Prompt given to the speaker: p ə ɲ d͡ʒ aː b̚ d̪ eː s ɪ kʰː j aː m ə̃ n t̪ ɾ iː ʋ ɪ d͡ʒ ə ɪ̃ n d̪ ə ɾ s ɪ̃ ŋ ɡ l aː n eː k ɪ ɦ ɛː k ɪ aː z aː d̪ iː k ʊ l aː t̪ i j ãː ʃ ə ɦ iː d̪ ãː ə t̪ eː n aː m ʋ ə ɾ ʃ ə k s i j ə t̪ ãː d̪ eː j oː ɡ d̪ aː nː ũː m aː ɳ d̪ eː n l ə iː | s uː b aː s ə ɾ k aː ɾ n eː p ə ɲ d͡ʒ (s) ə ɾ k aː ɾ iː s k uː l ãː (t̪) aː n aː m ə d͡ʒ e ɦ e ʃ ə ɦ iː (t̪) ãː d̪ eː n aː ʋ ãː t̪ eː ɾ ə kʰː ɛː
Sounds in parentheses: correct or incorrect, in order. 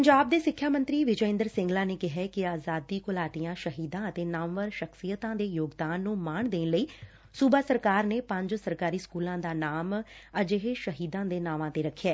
correct, incorrect, incorrect

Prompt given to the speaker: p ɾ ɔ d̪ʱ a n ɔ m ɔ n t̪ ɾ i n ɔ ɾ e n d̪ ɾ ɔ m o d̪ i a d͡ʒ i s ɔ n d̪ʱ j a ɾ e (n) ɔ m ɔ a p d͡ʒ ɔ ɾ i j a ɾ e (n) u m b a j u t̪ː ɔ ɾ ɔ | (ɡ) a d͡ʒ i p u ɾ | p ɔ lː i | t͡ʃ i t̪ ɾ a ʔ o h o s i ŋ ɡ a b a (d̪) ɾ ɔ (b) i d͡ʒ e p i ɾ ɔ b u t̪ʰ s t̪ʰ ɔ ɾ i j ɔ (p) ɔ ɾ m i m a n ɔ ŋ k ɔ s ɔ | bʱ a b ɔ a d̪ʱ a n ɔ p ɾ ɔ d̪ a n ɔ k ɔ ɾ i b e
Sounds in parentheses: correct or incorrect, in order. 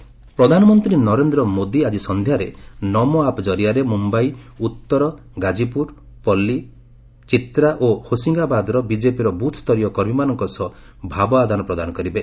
correct, incorrect, correct, correct, correct, incorrect

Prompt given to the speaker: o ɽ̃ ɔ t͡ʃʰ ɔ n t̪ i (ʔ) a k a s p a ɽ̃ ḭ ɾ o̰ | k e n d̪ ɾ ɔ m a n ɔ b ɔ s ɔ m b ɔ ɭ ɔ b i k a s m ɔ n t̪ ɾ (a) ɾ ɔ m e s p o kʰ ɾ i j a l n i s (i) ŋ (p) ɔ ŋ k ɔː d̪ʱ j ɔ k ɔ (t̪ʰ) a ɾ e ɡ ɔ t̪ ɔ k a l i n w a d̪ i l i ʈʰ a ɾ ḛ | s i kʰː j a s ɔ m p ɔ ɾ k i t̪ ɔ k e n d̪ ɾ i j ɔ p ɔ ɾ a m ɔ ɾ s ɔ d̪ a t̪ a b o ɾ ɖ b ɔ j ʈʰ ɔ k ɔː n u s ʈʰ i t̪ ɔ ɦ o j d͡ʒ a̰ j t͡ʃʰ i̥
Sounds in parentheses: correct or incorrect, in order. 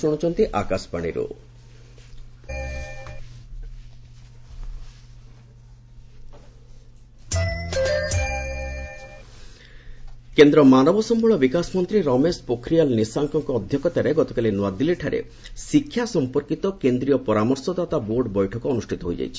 correct, incorrect, incorrect, incorrect, incorrect

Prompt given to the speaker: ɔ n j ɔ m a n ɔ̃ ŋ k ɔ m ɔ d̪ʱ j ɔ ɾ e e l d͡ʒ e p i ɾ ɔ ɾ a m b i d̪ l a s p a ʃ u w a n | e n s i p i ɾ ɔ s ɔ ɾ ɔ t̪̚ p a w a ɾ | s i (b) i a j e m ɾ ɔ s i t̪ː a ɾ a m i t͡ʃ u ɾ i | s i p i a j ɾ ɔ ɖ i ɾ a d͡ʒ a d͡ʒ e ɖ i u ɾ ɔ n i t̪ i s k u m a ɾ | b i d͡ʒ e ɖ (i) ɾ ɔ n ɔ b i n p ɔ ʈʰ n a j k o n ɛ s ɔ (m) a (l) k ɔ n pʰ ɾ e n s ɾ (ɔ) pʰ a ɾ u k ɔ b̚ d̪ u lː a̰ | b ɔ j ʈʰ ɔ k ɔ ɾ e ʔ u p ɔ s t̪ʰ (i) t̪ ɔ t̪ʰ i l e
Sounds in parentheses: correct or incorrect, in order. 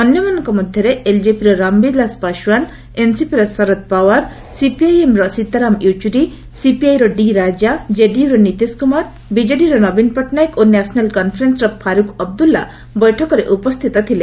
incorrect, correct, incorrect, correct, correct, correct

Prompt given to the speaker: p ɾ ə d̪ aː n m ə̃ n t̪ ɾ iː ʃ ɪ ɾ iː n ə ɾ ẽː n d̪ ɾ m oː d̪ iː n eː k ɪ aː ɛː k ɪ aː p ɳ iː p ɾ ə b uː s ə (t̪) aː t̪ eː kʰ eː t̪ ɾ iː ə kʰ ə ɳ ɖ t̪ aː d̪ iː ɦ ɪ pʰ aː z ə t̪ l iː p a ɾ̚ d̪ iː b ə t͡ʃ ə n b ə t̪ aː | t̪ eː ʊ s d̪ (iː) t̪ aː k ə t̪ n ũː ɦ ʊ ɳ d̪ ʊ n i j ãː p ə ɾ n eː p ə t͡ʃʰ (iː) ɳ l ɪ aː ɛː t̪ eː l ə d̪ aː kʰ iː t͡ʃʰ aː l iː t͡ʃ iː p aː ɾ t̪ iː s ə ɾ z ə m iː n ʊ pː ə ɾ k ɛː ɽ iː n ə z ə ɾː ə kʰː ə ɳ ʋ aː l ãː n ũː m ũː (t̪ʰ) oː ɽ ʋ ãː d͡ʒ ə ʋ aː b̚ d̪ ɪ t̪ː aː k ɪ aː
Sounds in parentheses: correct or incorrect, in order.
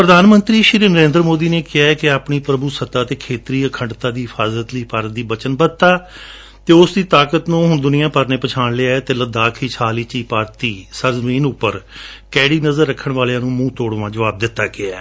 correct, correct, incorrect, incorrect

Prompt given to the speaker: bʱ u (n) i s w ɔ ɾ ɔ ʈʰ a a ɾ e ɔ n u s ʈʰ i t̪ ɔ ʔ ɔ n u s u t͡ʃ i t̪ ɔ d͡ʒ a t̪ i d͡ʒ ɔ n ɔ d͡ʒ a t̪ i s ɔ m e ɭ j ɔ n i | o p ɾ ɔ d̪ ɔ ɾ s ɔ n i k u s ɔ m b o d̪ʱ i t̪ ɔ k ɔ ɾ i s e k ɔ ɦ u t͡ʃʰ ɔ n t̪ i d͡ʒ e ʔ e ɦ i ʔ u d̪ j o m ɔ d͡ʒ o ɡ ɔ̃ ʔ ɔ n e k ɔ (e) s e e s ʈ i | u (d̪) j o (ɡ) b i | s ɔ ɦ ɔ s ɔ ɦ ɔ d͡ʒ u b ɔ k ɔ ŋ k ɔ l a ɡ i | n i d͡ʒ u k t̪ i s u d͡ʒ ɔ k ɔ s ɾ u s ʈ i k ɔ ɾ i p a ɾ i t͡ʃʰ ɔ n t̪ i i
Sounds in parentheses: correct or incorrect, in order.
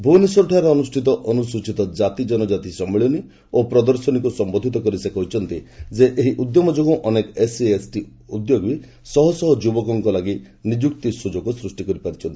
correct, correct, correct, correct

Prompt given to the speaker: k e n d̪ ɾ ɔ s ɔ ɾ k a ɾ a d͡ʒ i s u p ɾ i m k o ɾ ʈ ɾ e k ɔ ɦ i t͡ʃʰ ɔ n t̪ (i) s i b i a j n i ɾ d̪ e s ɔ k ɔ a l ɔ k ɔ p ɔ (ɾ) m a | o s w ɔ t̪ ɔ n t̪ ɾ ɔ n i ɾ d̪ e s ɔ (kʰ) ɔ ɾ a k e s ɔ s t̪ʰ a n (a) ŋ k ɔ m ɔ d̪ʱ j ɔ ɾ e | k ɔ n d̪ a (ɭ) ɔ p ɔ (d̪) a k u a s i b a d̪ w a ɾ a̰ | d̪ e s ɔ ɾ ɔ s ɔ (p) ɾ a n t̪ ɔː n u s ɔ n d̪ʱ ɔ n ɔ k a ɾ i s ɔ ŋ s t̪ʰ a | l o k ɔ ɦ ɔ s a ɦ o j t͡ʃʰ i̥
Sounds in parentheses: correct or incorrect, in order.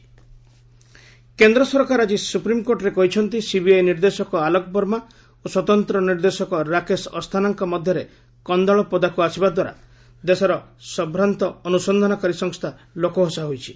correct, correct, incorrect, correct, correct, correct, incorrect

